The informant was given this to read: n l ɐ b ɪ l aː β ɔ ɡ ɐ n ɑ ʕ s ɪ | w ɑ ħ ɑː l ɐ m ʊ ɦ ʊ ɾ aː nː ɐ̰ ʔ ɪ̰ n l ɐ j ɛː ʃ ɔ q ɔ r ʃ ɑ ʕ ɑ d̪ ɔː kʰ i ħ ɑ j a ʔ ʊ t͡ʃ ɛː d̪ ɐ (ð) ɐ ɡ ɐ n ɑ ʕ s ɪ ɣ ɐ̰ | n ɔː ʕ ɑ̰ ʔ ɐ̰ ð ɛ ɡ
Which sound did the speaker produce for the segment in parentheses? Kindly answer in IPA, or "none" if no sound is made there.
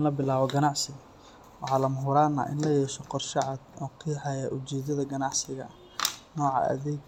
ð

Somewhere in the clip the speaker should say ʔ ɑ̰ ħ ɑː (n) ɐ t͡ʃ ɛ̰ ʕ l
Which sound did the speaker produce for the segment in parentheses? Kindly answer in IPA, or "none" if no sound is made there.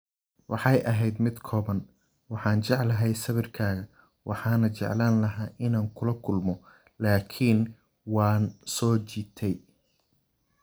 n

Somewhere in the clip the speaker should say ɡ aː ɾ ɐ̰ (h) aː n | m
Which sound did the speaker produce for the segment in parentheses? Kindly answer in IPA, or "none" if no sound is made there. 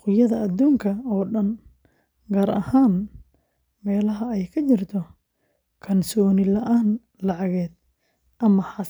h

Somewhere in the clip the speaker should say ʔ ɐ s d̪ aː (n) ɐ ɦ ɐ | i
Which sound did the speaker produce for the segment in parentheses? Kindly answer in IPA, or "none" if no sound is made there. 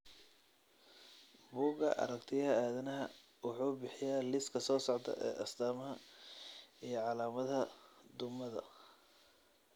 m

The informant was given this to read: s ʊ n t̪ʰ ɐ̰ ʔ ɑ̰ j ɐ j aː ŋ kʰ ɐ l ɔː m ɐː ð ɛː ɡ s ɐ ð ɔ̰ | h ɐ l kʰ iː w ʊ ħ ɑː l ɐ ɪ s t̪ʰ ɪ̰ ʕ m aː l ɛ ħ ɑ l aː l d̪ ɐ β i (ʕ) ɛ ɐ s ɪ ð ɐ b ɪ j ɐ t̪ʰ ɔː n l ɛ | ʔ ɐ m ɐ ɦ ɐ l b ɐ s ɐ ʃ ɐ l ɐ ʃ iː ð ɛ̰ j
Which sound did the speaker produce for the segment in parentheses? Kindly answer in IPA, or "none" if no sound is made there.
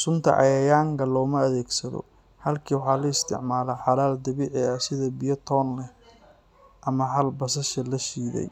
ʕ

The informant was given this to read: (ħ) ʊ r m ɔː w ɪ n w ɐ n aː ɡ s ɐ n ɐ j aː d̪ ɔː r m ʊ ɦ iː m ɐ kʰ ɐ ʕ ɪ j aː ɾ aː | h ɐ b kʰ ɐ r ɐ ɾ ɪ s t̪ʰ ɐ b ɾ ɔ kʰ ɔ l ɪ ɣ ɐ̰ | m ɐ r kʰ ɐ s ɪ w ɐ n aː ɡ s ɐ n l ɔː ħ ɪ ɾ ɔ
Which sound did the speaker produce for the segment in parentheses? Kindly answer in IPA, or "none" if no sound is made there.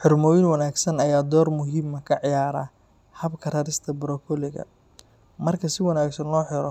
ħ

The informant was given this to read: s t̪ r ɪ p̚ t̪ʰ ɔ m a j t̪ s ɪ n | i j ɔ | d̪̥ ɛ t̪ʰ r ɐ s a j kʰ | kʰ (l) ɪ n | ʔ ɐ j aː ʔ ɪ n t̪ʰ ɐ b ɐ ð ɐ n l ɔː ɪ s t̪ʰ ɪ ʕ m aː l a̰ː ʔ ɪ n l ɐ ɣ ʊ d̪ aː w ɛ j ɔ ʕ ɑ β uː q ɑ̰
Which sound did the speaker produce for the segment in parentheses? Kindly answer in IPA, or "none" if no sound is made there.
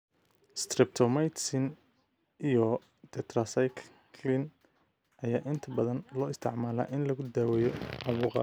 l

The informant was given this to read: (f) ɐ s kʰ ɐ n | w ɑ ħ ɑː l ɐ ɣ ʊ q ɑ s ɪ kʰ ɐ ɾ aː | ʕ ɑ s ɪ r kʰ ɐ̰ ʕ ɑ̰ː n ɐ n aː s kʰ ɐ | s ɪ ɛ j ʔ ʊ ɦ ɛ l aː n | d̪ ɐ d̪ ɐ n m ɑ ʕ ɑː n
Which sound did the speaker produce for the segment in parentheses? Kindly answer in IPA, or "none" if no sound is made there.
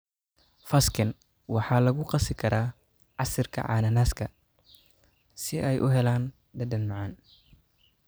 f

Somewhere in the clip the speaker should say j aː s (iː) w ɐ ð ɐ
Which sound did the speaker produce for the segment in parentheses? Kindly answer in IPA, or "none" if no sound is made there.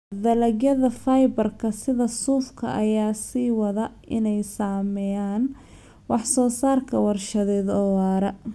iː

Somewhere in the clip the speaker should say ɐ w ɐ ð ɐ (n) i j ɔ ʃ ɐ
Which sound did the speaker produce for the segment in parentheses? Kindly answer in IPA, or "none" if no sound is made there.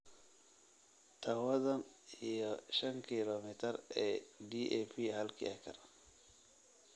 n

